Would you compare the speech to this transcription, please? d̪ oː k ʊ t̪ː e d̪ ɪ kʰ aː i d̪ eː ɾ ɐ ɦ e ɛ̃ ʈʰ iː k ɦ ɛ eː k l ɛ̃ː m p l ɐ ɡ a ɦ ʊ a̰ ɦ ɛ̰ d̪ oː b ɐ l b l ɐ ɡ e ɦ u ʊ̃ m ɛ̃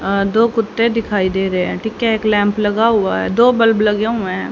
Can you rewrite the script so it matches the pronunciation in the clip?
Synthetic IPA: d̪ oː k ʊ t̪ː e d̪ ɪ kʰ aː i d̪ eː ɾ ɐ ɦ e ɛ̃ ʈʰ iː k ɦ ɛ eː k l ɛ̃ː m p l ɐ ɡ a ɦ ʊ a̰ ɦ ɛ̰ d̪ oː b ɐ l b l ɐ ɡ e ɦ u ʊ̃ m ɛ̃